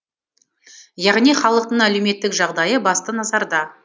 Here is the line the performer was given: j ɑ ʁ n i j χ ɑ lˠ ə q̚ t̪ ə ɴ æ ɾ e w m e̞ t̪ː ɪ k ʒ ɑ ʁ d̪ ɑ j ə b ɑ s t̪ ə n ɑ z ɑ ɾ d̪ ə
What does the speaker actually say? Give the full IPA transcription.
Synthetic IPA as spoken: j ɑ ʁ n i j χ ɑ lˠ ə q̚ t̪ ə ɴ æ l e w m e̞ t̪ː ɪ k ʒ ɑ ʁ d̪ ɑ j ə b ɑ s t̪ ə n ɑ z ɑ ɾ d̪ ɑ

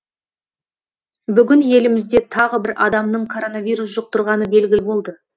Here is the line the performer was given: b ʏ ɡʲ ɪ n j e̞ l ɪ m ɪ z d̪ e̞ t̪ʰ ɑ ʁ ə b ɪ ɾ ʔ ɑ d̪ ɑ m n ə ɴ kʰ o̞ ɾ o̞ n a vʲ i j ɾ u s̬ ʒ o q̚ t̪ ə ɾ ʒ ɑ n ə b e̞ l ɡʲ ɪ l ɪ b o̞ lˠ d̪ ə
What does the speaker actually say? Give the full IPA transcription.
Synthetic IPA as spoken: b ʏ ɡʲ ɪ n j e̞ l ɪ m ɪ z d̪ e̞ t̪ʰ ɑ ʁ ə b ɪ ɾ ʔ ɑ d̪ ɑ m n ə ɴ kʰ o̞ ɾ o̞ n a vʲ i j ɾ u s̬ ʒ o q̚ t̪ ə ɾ ʁ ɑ n ə b e̞ l ɡʲ ɪ l ɪ b o̞ lˠ d̪ ə

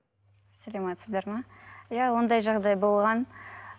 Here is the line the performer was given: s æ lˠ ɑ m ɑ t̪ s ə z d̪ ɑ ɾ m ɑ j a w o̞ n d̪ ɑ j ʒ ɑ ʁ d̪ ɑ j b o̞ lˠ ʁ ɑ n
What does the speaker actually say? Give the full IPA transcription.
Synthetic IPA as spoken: s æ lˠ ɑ m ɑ t̪ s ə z d̪ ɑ ɾ m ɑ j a w o̞ n d̪ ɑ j ʒ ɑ ʁ d̪ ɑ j b o̞ lˠ ʁ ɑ n

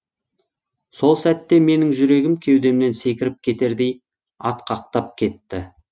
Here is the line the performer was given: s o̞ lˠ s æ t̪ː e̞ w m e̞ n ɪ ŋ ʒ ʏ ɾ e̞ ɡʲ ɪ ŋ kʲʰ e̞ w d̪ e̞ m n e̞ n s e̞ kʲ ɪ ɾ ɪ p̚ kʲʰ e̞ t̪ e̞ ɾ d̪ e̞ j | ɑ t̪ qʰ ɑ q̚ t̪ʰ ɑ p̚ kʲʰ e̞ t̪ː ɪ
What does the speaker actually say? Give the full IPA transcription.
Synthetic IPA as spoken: s o̞ lˠ s æ t̪ː e̞ m e̞ n ɪ ŋ ʒ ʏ ɾ e̞ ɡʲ ɪ m kʲʰ e̞ w d̪ e̞ m n e̞ n s e̞ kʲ ɪ ɾ ɪ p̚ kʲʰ e̞ t̪ e̞ ɾ d̪ e̞ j | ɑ t̪ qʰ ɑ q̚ t̪ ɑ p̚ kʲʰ e̞ t̪ː ɪ

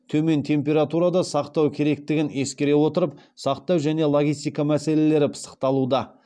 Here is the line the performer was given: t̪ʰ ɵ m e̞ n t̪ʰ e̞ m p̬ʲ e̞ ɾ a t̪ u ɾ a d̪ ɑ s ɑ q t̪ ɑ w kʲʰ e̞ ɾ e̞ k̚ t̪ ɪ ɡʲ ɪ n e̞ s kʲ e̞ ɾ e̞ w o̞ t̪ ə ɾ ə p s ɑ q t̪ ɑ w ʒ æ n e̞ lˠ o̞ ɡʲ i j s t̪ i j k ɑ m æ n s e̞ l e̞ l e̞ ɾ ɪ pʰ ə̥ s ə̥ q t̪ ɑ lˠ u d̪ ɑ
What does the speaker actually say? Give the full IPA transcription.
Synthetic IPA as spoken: t̪ʰ ɵ m e̞ n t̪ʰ e̞ m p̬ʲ e̞ ɾ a t̪ u ɾ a d̪ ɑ s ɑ q t̪ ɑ w kʲʰ e̞ ɾ e̞ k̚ t̪ ɪ ɡʲ ɪ n e̞ s kʲ e̞ ɾ e̞ w o̞ t̪ ə ɾ ə p s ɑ q t̪ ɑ w ʒ æ n e̞ lˠ o̞ ɡʲ i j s t̪ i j k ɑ m æ s e̞ l e̞ l e̞ ɾ ɪ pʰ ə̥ s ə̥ q t̪ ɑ lˠ u d̪ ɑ

